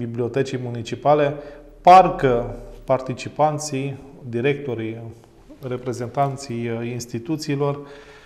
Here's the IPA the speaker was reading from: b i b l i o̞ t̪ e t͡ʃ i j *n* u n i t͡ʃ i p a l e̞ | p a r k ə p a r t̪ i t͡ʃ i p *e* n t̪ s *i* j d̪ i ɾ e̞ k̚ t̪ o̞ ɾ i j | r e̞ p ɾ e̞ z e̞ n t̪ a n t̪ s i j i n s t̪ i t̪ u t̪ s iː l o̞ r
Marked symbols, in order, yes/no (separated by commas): no, no, yes